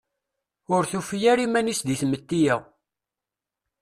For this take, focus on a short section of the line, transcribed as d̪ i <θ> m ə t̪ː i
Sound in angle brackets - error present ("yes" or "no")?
no